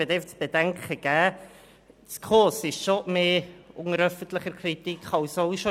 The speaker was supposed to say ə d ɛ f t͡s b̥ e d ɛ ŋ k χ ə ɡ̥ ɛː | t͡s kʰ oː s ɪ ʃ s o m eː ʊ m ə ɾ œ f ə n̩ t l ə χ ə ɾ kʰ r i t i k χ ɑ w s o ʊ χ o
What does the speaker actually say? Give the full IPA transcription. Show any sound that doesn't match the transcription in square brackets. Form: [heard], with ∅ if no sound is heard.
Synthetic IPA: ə d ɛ f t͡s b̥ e d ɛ ŋ k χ ə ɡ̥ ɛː | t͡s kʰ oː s ɪ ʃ [ʃ] o m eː ʊ [ŋ] ə ɾ œ f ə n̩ t l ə χ ə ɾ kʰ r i t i k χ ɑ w s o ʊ [ʃ] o